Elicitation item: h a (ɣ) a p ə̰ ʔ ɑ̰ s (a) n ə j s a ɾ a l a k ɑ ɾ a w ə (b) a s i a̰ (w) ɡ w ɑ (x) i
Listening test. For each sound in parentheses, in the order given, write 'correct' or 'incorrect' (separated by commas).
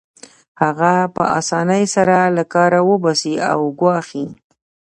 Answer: correct, incorrect, correct, correct, correct